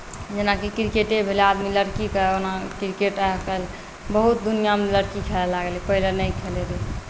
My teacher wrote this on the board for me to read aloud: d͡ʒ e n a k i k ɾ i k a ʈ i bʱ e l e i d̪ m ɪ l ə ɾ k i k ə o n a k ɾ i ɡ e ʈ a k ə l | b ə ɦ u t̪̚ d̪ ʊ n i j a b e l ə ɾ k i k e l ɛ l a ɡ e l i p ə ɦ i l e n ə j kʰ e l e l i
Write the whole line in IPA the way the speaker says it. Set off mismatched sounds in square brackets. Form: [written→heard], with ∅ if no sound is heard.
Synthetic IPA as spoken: d͡ʒ e n a k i k ɾ i k [a→e] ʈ [i→e] bʱ e l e [i→a] d̪ m [ɪ→i] l ə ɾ k i k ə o n a k ɾ i [ɡ→k] e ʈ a k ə l | b ə ɦ u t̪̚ d̪ [ʊ→u] n i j a [b→m] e l ə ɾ k i [k→kʰ] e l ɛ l a ɡ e l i p ə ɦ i l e n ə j kʰ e l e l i